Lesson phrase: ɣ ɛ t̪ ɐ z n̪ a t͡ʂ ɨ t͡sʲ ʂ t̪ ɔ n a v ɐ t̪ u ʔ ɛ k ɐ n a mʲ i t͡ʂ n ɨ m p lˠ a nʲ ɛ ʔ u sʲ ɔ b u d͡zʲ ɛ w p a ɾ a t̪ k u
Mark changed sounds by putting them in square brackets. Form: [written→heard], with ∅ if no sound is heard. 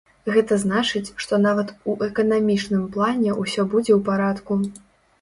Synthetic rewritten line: ɣ ɛ t̪ ɐ z n̪ a t͡ʂ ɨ t͡sʲ ʂ t̪ ɔ n a v ɐ t̪ u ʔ ɛ k ɐ n a mʲ i t͡ʂ n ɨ m p lˠ a nʲ ɛ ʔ u sʲ ɔ b u d͡zʲ ɛ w p a ɾ a t̪ k u

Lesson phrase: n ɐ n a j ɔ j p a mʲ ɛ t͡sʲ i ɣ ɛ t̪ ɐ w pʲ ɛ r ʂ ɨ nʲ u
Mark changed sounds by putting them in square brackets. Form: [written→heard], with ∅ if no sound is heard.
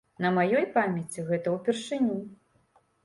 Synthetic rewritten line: n ɐ [n→m] a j ɔ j p a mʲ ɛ t͡sʲ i ɣ ɛ t̪ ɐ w pʲ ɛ r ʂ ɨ nʲ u

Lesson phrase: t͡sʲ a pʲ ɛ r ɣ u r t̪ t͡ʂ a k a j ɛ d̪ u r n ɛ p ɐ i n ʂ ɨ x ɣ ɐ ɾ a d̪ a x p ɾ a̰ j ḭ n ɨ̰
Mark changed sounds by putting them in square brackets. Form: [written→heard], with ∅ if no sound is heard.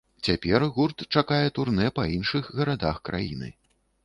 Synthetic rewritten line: t͡sʲ a pʲ ɛ r ɣ u r t̪ t͡ʂ a k a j ɛ [d̪→t̪] u r n ɛ p ɐ i n ʂ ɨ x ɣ ɐ ɾ a d̪ a x [p→k] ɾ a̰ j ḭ n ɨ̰

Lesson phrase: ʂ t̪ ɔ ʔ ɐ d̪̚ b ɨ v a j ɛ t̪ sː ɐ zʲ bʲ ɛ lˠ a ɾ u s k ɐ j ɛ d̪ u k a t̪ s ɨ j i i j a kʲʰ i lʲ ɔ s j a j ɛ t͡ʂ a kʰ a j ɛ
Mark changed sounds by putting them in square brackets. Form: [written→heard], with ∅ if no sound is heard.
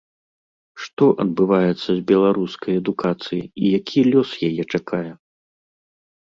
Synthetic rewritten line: ʂ t̪ ɔ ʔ ɐ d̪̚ b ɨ v a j ɛ t̪ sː ɐ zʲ bʲ ɛ lˠ a ɾ u s k ɐ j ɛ d̪ u k a t̪ s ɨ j i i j a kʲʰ i lʲ ɔ s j a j ɛ t͡ʂ a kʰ a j ɛ

